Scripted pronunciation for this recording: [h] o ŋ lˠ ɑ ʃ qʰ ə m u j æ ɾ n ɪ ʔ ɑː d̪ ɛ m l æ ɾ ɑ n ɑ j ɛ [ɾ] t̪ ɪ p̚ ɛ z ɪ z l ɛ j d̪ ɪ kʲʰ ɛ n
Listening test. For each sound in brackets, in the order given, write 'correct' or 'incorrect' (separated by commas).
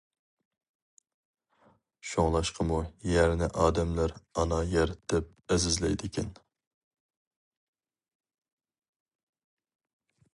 incorrect, correct